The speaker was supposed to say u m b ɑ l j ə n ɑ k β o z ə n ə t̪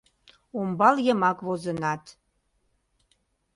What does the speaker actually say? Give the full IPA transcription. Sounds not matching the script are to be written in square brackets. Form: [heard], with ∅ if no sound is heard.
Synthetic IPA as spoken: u m b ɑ l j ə [m] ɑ k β o z ə n [ɑ] t̪